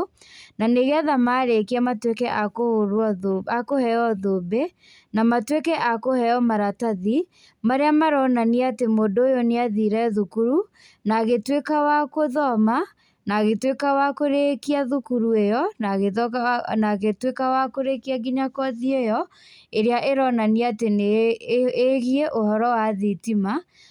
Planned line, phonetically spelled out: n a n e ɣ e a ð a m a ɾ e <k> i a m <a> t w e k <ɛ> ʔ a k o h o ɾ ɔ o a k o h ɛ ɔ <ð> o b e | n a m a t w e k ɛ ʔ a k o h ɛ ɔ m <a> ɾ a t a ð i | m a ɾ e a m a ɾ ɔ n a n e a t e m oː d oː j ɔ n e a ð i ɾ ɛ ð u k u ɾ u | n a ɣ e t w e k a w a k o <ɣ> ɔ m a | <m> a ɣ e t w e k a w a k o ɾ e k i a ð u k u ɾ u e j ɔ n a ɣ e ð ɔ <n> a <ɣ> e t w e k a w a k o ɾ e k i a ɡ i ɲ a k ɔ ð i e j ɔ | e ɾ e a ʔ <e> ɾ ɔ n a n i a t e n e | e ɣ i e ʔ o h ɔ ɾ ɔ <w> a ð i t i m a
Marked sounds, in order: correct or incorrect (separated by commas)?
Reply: correct, correct, correct, correct, correct, incorrect, incorrect, correct, correct, correct, correct